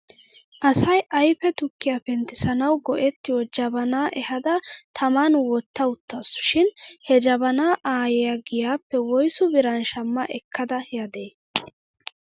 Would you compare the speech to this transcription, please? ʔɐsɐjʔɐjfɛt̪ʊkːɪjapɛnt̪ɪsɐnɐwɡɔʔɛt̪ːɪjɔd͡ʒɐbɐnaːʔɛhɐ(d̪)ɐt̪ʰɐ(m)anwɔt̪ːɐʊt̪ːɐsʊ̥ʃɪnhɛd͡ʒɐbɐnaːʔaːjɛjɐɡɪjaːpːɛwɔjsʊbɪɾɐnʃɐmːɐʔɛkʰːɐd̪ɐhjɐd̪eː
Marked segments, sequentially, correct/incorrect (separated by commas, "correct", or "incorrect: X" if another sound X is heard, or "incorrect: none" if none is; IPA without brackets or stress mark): correct, correct